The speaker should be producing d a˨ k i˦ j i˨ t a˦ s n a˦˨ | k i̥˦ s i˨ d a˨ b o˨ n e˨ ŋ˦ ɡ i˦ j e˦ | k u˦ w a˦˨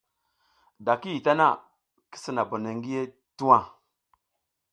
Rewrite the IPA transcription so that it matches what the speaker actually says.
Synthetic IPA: d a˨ k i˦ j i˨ t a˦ n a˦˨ | k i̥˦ s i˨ n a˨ b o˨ n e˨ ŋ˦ ɡ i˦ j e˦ | t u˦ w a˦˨